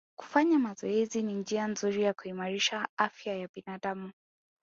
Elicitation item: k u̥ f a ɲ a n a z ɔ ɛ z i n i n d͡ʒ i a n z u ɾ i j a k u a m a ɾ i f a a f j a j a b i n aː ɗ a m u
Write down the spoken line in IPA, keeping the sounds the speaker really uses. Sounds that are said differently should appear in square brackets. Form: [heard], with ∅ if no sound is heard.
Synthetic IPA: k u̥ f a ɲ a [m] a z ɔ ɛ z i n i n d͡ʒ i a n z u ɾ i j a k u [i] m a ɾ i [ʃ] a a f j a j a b i n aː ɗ a m u